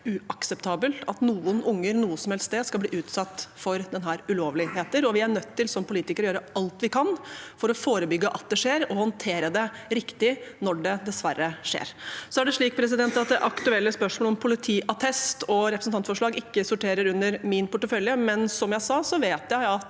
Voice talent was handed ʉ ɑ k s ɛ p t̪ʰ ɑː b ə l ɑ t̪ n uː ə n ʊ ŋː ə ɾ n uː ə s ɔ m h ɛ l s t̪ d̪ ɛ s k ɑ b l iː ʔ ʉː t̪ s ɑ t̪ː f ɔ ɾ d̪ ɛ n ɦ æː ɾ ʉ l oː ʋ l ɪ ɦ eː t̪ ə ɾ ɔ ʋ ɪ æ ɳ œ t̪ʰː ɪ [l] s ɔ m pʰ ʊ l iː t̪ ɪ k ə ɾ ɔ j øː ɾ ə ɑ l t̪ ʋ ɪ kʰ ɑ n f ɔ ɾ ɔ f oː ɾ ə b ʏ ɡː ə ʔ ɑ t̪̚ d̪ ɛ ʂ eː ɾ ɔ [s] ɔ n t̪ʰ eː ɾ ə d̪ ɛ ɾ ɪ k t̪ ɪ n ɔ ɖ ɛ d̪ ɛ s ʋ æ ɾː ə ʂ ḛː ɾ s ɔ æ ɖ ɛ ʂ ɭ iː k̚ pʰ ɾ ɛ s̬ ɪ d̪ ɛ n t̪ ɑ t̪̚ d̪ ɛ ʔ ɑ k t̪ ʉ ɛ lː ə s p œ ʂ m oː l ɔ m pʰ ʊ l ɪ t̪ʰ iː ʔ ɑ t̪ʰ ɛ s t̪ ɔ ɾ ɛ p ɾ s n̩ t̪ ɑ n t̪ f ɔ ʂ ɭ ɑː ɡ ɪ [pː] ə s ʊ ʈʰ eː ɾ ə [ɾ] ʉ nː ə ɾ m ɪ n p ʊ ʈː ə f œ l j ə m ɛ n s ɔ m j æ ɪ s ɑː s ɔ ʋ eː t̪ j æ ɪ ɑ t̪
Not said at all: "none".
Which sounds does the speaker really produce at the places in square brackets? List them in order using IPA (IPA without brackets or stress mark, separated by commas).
l, h, kː, ɾ